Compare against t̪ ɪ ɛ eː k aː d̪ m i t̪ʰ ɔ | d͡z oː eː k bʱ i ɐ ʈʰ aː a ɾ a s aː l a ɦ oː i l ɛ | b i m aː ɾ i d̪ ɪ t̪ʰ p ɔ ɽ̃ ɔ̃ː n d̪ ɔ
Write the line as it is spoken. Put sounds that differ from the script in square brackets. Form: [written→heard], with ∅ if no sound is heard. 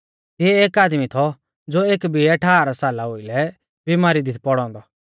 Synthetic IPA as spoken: t̪ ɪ ɛ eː k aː d̪ m i t̪ʰ ɔ | d͡z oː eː k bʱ i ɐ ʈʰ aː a ɾ a s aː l a ɦ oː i l ɛ | b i m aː ɾ i d̪ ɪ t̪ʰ p ɔ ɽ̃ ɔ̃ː n d̪ ɔ